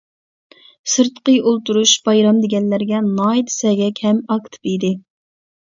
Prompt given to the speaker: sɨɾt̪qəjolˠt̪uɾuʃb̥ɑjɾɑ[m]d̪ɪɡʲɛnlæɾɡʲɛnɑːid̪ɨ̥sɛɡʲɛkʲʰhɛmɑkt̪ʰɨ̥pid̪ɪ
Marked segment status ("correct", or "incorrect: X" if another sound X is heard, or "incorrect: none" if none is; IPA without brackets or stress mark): correct